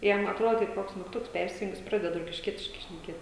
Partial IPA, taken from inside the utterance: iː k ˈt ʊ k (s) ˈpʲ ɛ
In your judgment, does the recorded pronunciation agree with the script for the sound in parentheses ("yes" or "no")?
yes